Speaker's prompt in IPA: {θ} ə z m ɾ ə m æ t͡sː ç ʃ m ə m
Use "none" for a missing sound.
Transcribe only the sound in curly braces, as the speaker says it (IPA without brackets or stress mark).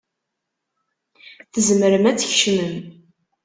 θ